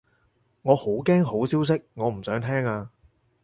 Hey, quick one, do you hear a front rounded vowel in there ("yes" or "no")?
yes